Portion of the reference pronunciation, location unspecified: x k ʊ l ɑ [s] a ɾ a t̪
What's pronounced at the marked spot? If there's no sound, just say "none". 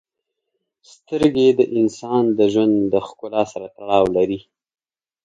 s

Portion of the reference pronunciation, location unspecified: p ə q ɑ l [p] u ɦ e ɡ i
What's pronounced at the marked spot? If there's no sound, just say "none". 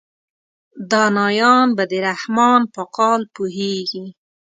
p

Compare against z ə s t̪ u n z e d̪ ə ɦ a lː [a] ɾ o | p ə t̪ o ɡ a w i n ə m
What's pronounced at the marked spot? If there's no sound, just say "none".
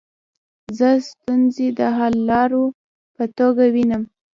ɑ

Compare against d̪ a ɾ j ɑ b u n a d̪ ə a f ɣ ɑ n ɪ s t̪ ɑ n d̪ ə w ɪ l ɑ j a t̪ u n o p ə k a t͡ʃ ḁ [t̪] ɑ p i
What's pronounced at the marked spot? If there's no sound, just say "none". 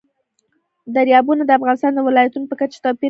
t̪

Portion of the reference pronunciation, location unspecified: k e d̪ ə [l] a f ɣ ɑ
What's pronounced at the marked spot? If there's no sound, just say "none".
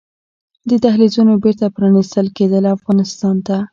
l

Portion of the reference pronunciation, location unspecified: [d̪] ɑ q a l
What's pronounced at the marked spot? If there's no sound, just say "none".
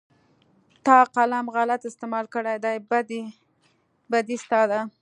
t̪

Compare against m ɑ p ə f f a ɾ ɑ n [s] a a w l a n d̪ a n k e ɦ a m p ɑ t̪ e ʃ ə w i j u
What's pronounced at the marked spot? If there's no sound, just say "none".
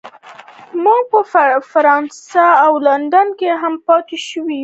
s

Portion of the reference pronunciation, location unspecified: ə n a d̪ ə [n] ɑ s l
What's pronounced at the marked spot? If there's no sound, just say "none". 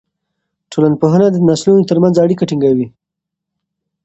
n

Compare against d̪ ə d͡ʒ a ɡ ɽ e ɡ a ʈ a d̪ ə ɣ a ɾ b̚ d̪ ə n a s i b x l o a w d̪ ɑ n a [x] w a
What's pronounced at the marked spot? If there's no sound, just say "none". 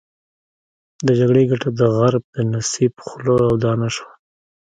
ʃ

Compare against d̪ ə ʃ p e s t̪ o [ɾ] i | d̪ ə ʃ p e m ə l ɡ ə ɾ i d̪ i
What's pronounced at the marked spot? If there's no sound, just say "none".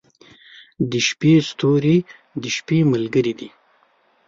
ɾ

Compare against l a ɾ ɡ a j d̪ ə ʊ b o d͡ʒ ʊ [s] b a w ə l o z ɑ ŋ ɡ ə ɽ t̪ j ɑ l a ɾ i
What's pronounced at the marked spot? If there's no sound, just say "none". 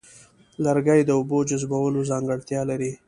z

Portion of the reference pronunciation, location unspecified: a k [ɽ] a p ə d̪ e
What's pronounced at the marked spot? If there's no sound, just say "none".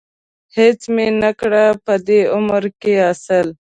ɽ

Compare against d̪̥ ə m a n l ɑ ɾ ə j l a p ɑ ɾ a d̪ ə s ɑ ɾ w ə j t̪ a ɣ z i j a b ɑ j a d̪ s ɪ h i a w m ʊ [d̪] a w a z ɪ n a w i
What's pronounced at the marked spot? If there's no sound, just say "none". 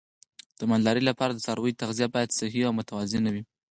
t̪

